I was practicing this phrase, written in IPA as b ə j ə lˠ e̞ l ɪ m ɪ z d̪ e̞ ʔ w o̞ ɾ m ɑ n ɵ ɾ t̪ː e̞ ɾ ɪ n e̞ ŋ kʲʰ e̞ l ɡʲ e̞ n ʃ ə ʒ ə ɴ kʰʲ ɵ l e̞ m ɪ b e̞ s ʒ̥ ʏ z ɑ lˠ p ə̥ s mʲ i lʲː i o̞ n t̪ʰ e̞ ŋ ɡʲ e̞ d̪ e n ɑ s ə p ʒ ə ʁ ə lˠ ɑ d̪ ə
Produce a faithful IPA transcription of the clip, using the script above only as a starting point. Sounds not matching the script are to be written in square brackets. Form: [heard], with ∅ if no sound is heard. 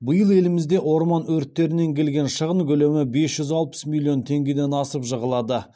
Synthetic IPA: b ə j ə lˠ e̞ l ɪ m ɪ z d̪ e̞ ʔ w o̞ ɾ m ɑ n ɵ ɾ t̪ː e̞ ɾ ɪ n e̞ ŋ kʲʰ e̞ l ɡʲ e̞ n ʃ ə [ʁ] ə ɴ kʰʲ ɵ l e̞ m ɪ b e̞ s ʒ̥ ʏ z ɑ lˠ p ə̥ s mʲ i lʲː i o̞ n t̪ʰ e̞ ŋ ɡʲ e̞ d̪ e n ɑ s ə p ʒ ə ʁ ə lˠ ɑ d̪ ə